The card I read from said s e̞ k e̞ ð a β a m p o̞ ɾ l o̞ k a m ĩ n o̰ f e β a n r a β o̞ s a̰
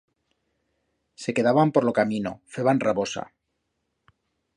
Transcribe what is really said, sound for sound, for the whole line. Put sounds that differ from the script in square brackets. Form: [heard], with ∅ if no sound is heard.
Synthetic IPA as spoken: s e̞ k e̞ ð a β a m p o̞ ɾ l o̞ k a m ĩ n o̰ f e β a n r a β o̞ s a̰